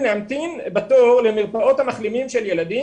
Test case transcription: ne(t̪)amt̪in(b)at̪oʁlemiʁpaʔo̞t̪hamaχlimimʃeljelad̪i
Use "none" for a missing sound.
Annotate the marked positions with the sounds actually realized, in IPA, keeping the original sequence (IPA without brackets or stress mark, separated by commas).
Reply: none, b